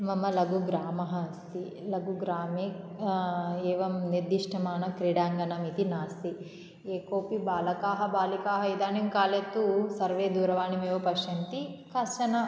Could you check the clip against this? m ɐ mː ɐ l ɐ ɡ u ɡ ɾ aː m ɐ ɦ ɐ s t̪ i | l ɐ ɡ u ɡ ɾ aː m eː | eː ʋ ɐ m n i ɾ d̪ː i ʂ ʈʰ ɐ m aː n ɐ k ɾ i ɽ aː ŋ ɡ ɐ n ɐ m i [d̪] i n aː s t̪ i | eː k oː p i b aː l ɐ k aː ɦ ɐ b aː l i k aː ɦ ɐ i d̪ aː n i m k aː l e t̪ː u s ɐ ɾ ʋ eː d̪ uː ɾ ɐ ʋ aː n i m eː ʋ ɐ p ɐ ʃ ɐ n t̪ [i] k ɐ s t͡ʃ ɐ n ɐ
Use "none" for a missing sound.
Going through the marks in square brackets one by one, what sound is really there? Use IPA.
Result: t̪, i

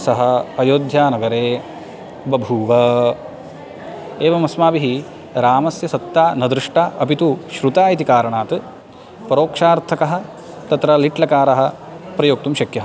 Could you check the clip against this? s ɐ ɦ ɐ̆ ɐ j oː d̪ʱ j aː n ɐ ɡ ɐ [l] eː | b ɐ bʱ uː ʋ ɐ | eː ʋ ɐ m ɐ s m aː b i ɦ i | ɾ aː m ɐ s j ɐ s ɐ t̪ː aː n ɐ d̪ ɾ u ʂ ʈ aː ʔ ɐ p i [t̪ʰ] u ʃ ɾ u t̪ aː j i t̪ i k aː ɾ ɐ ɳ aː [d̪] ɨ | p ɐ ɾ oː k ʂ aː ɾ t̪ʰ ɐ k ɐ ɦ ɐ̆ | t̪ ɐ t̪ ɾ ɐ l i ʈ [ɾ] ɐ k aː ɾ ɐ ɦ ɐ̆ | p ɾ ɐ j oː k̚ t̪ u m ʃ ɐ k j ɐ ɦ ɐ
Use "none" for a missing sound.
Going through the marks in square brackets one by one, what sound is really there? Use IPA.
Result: ɾ, t̪, t̪, l

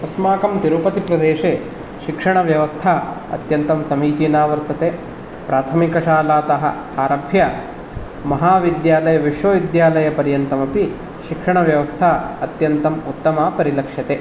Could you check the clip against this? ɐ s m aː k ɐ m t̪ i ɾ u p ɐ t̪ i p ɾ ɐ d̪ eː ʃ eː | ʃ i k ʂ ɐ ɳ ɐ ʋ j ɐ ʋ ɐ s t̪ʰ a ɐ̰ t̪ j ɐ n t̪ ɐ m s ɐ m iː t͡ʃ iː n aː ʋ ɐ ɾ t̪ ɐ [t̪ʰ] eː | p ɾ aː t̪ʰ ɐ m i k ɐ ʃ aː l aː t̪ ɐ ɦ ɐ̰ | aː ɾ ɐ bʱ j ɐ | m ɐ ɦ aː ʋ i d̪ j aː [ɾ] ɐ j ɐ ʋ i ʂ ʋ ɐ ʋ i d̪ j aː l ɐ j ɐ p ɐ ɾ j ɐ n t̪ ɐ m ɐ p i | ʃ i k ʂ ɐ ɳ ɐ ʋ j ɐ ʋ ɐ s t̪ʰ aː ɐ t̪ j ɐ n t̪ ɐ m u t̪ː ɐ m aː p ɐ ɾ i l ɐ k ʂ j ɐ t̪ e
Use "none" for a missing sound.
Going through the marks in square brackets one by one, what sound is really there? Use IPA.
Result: t̪, l

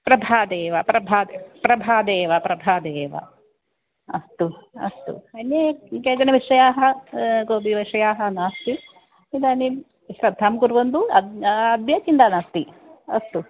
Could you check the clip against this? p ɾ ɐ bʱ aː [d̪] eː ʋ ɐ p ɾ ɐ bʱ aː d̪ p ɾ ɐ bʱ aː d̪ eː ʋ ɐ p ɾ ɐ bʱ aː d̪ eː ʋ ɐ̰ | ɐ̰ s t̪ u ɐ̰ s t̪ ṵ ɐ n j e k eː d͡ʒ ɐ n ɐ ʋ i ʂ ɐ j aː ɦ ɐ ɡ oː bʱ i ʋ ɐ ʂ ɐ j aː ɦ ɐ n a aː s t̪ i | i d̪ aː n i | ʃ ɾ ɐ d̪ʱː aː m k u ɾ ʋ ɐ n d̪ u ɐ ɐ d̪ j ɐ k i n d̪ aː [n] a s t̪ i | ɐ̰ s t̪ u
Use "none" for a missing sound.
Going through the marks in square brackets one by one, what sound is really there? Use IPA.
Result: d̪, n

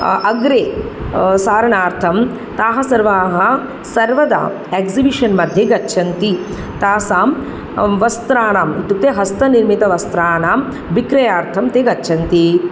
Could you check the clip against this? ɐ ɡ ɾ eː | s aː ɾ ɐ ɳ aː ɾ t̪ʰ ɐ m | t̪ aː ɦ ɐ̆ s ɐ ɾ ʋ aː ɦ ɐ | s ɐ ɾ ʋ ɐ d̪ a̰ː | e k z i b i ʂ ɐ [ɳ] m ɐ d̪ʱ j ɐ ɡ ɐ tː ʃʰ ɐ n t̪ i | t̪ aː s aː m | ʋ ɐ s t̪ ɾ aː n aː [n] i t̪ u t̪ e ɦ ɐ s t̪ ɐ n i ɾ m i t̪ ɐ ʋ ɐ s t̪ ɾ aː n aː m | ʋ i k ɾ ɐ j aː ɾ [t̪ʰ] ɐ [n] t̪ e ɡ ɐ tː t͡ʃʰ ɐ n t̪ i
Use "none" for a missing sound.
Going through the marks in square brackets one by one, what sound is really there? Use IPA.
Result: n, m, t̪ʰ, m

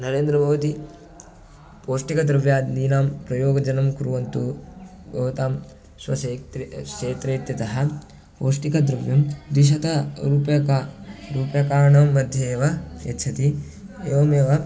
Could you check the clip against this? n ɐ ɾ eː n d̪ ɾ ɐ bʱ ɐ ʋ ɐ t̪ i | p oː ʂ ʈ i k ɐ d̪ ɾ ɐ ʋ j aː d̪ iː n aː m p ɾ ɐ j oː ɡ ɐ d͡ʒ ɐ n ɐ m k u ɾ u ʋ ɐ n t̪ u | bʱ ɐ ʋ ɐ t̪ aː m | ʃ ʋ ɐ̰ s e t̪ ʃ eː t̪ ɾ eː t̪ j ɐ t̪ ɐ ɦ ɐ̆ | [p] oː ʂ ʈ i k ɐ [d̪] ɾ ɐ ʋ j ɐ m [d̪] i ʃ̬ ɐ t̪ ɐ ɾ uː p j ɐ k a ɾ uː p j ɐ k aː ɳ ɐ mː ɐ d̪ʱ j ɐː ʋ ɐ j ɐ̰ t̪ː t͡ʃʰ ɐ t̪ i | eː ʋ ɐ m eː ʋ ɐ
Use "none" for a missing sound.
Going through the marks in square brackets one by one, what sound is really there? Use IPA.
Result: p, d̪, d̪

